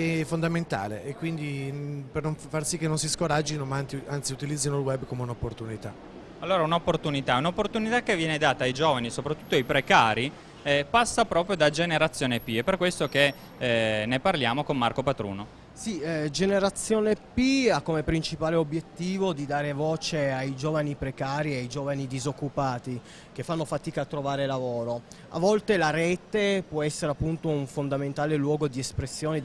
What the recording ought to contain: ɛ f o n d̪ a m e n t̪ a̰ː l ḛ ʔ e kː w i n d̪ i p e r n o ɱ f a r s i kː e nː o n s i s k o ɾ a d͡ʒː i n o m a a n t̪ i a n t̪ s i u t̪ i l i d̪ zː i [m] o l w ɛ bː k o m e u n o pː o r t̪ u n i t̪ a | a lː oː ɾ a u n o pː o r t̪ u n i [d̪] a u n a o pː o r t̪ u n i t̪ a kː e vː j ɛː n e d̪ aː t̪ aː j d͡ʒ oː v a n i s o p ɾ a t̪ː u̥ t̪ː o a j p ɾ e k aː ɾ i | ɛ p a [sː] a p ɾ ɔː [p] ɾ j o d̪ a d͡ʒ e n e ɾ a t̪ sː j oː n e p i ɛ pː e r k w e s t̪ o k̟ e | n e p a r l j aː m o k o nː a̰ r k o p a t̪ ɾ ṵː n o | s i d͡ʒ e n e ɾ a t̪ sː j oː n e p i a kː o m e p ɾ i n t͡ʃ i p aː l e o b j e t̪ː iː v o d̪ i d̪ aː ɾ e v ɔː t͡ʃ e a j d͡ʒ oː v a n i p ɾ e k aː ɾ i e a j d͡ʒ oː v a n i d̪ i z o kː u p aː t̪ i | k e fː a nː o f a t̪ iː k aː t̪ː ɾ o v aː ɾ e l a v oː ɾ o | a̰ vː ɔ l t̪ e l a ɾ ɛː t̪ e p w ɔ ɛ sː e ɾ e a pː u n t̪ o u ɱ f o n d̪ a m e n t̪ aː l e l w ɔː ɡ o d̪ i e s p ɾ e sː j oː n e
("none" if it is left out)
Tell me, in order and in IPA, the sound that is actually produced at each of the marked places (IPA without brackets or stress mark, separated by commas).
n, t̪, sː, p